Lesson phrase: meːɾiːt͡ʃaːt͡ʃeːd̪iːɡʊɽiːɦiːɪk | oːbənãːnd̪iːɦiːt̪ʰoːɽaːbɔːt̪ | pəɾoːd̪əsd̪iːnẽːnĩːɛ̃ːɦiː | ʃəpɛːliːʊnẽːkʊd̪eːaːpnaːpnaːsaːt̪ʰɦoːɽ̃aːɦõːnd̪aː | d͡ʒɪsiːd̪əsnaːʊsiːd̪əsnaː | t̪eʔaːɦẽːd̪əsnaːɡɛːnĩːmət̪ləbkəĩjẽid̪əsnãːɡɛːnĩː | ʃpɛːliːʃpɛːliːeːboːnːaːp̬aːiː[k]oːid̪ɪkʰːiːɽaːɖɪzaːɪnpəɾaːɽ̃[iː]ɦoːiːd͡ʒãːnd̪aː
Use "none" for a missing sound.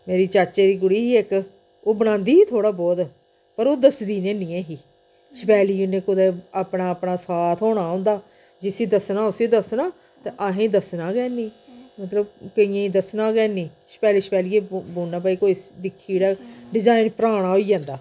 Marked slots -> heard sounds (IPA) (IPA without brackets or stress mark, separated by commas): k, aː